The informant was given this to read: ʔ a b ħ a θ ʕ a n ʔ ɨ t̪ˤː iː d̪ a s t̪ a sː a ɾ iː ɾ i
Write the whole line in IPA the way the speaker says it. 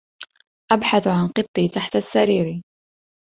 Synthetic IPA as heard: ʔ a b ħ a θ ʕ a n q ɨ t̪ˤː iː t̪ a ħ t̪ a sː a ɾ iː ɾ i